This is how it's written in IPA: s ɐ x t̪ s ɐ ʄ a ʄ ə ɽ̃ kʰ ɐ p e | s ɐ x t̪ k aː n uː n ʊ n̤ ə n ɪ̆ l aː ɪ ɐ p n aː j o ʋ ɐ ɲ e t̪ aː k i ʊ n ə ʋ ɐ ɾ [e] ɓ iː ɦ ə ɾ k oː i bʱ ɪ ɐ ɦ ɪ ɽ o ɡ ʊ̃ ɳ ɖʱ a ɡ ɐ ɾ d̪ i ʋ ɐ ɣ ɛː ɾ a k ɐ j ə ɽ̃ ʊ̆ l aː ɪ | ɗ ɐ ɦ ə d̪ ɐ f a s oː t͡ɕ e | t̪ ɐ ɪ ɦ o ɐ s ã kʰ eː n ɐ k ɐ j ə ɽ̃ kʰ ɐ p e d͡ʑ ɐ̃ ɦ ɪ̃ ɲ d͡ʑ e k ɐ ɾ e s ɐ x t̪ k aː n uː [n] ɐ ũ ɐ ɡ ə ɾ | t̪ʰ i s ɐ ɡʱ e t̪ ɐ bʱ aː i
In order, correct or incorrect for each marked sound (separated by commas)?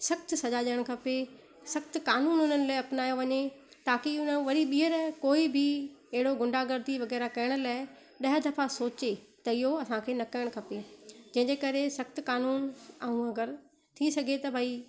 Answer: incorrect, correct